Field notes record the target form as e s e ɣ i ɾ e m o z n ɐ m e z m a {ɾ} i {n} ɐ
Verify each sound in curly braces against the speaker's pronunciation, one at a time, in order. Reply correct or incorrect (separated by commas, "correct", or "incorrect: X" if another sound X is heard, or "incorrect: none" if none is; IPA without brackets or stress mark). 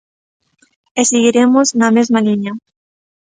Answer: incorrect: l, incorrect: ɲ